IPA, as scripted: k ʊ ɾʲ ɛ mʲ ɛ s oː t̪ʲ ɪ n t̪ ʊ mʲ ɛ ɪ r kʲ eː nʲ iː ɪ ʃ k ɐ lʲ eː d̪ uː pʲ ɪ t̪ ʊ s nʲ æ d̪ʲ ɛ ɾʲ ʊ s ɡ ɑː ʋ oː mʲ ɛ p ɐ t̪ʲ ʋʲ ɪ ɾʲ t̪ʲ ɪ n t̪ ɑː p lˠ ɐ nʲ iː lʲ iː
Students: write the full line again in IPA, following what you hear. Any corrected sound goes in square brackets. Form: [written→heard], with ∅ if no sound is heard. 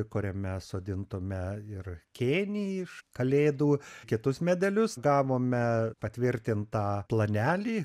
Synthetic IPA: k ʊ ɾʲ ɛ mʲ ɛ s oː [t̪ʲ→d̪ʲ] ɪ n t̪ ʊ mʲ ɛ ɪ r kʲ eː nʲ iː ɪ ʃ k ɐ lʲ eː d̪ uː [pʲ→kʲ] ɪ t̪ ʊ s [nʲ→mʲ] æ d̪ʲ ɛ [ɾʲ→lʲ] ʊ s ɡ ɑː ʋ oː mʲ ɛ p ɐ t̪ʲ ʋʲ ɪ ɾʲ t̪ʲ ɪ n t̪ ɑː p lˠ ɐ nʲ [iː→æː] lʲ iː